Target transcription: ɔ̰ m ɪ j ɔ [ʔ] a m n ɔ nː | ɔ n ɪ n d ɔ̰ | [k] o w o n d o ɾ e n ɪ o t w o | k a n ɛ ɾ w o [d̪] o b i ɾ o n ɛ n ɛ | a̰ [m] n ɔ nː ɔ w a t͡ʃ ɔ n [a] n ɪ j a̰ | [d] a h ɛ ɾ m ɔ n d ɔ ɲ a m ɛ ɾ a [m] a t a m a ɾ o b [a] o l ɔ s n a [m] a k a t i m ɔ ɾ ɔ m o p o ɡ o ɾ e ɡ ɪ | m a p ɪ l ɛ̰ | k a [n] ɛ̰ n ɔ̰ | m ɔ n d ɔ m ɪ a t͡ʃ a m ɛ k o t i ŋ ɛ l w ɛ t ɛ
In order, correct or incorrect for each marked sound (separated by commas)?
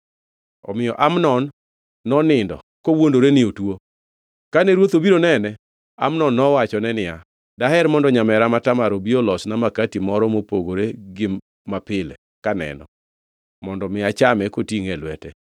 correct, correct, incorrect, correct, incorrect, correct, correct, incorrect, correct, correct